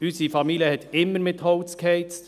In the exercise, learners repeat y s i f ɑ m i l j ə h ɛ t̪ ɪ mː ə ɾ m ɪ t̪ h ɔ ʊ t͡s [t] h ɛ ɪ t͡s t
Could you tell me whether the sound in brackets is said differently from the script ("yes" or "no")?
yes